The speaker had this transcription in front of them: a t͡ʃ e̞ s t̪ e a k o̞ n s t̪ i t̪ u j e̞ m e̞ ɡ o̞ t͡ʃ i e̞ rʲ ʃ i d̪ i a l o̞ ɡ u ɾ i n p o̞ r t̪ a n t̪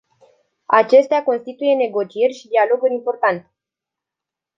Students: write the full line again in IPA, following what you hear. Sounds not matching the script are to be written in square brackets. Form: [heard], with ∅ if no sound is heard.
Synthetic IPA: a t͡ʃ e̞ s t̪ e a k o̞ n s t̪ i t̪ u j e̞ [n] e̞ ɡ o̞ t͡ʃ i e̞ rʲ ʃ i d̪ i a l o̞ ɡ u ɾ i [m] p o̞ r t̪ a n t̪